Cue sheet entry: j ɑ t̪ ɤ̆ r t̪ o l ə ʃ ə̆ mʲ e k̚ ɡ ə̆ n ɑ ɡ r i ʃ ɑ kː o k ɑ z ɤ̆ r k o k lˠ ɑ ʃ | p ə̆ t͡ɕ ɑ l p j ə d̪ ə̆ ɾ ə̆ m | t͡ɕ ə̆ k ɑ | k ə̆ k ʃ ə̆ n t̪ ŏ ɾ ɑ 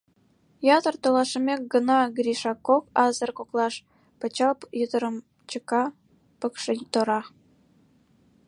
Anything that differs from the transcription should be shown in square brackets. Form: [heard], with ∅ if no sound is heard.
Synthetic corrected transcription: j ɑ t̪ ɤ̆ r t̪ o l [ɑ] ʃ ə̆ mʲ e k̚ ɡ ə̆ n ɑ ɡ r i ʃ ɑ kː o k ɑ z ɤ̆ r k o k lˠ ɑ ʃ | p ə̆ t͡ɕ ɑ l p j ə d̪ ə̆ ɾ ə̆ m | t͡ɕ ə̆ k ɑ | [p] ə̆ k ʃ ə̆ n t̪ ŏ ɾ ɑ